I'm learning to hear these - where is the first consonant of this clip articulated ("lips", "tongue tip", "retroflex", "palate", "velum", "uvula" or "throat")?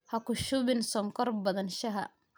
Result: throat